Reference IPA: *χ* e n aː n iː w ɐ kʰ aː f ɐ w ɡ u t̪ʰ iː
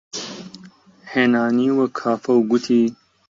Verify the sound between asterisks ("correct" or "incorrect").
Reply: incorrect